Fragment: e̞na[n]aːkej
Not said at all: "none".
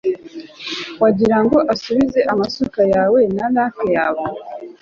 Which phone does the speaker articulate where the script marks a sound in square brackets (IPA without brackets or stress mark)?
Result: n